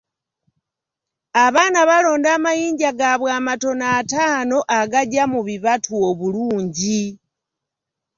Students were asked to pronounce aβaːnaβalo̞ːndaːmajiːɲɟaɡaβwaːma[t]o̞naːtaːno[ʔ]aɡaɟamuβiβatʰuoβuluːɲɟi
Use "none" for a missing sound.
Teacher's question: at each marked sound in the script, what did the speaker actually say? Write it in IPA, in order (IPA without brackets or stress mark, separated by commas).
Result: t, ʔ